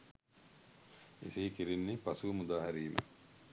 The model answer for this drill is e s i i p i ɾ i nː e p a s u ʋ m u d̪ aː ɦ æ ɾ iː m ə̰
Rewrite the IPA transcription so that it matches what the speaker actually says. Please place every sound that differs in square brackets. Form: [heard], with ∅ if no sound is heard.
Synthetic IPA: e s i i [k] i ɾ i nː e p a s u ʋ m u d̪ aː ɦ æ ɾ iː m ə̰